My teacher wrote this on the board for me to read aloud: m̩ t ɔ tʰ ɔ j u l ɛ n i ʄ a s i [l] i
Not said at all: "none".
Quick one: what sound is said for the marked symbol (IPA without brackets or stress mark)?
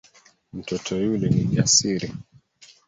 ɾ